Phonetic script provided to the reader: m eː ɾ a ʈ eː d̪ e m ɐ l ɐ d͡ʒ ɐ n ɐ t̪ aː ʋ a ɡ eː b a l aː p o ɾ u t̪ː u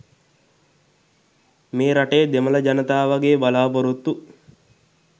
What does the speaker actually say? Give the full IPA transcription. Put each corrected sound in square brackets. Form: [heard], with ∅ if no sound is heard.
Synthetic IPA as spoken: m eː ɾ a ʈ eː d̪ e m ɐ l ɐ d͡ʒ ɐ n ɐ t̪ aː ʋ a ɡ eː b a l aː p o ɾ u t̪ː u